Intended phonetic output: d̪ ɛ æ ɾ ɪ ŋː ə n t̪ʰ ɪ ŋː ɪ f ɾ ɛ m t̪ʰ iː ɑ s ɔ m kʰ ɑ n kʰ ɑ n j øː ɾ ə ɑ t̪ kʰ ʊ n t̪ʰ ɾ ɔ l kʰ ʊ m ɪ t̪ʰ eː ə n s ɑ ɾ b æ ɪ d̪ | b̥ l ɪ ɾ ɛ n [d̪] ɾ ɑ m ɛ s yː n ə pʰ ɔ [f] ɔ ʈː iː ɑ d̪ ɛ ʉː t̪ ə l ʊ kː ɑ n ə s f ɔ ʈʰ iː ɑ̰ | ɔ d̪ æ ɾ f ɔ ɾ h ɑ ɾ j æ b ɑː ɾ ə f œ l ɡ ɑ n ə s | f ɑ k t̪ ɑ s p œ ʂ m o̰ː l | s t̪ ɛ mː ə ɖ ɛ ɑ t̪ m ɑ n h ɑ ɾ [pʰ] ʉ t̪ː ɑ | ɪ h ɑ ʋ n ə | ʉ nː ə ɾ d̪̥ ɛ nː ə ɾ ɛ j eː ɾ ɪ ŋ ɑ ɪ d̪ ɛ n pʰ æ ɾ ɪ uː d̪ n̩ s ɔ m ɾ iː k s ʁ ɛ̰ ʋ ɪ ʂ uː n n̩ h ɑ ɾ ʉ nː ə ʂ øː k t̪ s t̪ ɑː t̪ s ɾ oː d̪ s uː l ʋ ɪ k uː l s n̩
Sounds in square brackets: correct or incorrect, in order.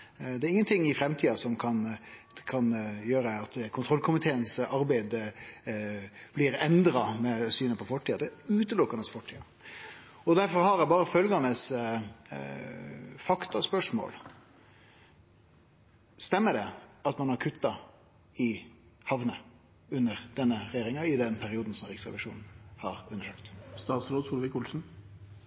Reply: correct, correct, incorrect: kʰ

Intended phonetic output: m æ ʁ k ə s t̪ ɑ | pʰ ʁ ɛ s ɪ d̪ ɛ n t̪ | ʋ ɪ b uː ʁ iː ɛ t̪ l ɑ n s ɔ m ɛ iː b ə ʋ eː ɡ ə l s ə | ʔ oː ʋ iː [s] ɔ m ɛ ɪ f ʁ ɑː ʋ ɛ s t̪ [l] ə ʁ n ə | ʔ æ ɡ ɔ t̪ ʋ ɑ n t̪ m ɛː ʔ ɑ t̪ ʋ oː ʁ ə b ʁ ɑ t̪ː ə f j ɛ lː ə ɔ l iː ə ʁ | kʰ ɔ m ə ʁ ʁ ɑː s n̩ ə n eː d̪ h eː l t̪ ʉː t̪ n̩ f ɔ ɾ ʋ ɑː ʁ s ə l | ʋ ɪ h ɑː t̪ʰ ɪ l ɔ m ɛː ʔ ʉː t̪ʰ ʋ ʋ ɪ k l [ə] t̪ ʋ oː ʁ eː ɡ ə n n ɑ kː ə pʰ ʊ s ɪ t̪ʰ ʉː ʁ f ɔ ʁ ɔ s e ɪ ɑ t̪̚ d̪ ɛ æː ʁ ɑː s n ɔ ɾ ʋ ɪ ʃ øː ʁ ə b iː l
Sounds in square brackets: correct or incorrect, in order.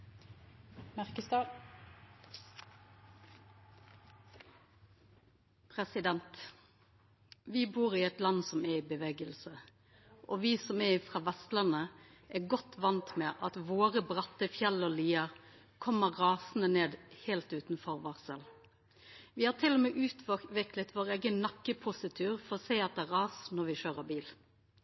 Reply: correct, correct, correct

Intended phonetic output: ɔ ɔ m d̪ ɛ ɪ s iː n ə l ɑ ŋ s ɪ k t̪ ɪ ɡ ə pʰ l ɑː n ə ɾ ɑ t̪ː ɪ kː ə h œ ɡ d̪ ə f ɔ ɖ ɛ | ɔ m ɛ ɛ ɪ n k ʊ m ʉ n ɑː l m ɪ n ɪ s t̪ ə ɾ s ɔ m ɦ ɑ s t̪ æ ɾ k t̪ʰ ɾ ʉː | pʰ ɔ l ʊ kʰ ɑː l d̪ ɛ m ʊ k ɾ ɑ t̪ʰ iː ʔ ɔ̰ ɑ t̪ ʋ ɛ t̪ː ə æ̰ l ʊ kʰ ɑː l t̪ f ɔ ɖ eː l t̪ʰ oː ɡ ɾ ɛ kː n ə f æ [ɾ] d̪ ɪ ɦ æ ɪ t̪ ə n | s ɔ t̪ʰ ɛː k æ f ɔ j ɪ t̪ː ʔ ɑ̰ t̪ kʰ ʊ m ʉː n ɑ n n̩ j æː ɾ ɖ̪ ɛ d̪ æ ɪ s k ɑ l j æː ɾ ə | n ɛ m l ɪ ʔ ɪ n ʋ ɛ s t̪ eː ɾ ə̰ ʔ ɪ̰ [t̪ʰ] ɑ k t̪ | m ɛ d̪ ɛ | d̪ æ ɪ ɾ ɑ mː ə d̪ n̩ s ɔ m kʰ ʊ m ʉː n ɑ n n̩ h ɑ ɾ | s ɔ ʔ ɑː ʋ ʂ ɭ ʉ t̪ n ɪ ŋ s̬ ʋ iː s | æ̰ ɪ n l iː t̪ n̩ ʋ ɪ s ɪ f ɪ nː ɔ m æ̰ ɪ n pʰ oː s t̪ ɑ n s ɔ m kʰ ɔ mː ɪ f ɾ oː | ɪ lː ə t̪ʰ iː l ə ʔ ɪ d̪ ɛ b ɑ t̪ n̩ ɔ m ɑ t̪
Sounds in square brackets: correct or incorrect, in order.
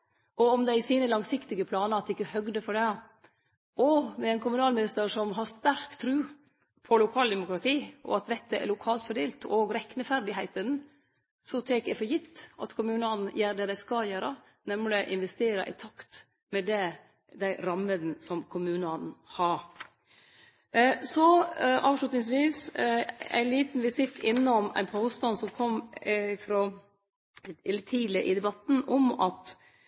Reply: correct, correct

